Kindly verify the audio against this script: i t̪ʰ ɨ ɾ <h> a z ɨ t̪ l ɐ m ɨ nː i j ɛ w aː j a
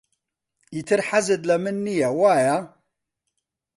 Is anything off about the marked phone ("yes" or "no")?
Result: yes